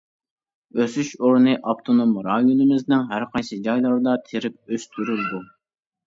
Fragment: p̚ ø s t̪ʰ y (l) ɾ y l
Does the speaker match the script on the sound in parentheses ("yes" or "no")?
no